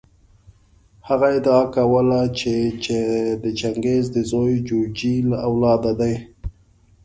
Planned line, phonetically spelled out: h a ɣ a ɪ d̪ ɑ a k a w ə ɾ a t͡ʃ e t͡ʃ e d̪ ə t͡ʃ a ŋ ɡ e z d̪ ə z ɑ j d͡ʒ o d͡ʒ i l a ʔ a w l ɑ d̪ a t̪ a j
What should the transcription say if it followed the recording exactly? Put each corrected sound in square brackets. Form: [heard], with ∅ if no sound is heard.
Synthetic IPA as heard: h a ɣ a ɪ d̪ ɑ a k a w ə [l] a t͡ʃ e t͡ʃ e d̪ ə t͡ʃ a ŋ ɡ e z d̪ ə z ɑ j d͡ʒ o d͡ʒ i l a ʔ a w l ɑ d̪ a [d̪] a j